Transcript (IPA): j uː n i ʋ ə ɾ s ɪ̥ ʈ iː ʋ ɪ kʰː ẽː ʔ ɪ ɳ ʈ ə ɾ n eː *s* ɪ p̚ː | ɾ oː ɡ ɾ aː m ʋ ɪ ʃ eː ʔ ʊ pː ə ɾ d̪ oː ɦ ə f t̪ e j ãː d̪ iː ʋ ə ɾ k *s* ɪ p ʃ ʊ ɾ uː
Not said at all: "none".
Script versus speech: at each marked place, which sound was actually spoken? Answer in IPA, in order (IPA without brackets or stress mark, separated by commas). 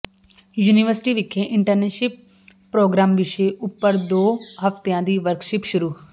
ʃ, ʃ